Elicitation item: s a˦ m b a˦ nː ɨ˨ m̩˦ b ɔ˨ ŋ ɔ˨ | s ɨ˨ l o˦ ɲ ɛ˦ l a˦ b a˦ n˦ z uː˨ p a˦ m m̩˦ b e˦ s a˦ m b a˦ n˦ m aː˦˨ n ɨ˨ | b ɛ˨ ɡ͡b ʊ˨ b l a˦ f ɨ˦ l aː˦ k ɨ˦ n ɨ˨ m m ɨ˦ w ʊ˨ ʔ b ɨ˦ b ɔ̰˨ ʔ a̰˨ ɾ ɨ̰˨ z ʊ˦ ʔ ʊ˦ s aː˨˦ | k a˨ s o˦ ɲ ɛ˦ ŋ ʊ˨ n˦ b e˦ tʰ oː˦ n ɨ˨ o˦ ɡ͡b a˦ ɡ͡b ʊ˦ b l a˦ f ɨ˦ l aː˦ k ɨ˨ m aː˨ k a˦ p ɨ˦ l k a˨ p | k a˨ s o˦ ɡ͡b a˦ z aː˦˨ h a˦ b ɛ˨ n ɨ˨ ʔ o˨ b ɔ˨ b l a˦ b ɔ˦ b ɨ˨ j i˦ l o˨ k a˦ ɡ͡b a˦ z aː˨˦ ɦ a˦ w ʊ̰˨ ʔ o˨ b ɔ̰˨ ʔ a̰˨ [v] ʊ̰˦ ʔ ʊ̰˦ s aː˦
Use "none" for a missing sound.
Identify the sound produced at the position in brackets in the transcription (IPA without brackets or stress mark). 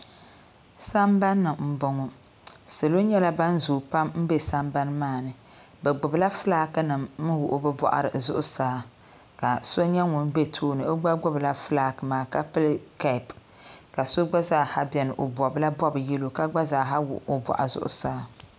z